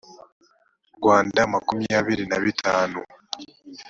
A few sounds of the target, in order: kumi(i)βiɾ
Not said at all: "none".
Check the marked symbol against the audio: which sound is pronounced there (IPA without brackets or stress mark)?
a